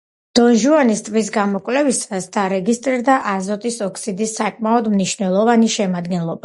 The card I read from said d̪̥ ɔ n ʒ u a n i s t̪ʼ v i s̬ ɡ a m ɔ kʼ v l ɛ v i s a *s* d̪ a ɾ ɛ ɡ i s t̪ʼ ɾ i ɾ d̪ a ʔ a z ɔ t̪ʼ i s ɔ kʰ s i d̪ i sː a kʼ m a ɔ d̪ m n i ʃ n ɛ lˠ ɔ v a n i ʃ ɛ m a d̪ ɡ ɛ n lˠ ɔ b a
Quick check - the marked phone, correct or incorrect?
correct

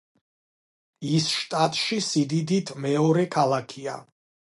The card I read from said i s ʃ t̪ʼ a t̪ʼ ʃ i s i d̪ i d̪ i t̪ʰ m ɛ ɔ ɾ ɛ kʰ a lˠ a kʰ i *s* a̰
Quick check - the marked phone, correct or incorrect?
incorrect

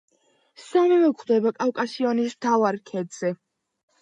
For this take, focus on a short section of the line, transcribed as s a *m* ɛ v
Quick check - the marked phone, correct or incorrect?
correct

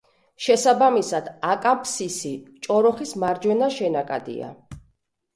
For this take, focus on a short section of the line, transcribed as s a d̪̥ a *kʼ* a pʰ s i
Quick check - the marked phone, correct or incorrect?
correct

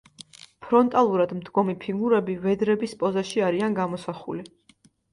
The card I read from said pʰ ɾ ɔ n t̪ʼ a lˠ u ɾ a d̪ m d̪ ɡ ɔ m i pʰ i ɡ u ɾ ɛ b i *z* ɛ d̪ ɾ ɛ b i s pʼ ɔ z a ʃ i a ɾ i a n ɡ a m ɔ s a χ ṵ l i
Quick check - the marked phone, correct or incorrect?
incorrect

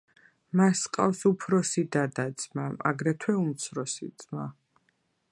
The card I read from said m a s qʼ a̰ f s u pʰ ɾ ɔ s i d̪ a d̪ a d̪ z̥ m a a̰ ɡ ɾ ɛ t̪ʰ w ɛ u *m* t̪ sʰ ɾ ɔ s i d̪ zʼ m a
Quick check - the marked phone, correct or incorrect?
correct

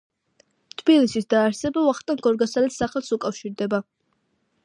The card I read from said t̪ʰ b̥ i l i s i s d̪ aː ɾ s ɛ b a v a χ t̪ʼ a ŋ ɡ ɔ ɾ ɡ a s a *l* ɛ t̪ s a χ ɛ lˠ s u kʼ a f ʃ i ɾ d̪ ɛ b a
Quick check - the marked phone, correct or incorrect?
correct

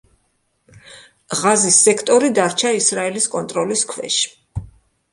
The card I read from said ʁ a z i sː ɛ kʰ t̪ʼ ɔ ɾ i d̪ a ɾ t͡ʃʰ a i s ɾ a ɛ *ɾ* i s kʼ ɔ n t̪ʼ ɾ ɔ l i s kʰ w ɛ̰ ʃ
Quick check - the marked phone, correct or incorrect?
incorrect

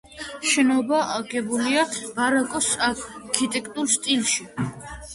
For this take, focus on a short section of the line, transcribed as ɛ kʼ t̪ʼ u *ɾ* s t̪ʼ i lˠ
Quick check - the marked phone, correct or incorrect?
correct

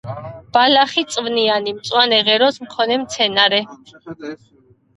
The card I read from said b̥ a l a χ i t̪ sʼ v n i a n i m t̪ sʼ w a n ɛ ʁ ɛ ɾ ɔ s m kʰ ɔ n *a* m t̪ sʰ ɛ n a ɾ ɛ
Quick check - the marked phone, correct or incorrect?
incorrect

